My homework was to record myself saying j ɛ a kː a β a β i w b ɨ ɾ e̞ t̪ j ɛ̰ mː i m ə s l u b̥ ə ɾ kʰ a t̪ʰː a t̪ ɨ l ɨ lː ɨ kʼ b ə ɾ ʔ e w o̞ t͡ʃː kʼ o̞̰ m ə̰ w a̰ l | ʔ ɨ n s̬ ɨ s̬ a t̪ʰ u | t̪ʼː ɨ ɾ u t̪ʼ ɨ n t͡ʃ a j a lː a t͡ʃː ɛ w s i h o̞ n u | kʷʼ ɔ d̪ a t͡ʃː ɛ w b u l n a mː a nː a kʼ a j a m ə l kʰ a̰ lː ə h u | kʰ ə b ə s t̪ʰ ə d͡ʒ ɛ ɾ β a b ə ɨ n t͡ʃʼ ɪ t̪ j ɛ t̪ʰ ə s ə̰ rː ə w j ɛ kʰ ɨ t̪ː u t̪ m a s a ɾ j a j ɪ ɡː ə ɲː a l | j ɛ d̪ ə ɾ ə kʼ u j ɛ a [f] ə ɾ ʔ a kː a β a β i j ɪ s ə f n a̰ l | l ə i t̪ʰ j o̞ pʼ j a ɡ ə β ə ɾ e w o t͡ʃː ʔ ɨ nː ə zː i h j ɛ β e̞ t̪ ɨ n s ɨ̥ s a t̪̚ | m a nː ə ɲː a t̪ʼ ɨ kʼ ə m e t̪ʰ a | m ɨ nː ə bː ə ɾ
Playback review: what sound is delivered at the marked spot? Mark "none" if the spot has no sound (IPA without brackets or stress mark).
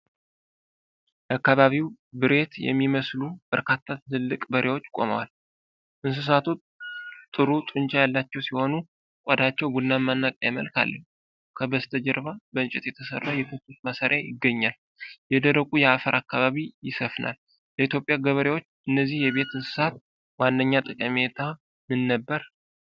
f